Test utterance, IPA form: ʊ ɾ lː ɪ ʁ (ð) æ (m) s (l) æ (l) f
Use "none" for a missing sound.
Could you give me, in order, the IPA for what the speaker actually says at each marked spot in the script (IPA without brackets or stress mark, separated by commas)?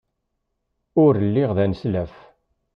ð, n, l, none